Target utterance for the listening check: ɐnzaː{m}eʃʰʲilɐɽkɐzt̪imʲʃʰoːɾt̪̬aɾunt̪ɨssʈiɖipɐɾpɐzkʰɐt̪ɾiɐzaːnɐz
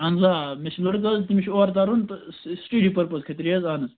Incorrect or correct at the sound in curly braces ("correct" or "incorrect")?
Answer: correct